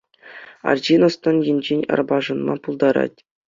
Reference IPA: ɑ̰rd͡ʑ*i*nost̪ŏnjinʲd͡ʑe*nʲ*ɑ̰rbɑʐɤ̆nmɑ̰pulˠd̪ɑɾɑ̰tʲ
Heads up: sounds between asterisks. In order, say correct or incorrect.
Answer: correct, correct

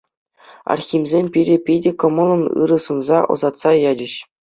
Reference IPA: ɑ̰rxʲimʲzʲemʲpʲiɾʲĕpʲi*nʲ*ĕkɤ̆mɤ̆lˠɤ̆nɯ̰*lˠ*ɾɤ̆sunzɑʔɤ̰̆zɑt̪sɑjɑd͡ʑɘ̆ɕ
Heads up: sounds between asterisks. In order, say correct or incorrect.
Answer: incorrect: dʲ, incorrect: none

